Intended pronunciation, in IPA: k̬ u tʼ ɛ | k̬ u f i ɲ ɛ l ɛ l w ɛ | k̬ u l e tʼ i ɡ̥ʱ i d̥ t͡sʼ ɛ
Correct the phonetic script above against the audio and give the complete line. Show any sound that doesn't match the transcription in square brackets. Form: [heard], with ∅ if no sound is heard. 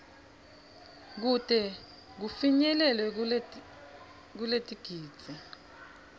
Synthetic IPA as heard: k̬ u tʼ ɛ | k̬ u f i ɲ ɛ l ɛ l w ɛ | k̬ u l e tʼ i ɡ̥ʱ [iː] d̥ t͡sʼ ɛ